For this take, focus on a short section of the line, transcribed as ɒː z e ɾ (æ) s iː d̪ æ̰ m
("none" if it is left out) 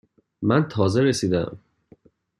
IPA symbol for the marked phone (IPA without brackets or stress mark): e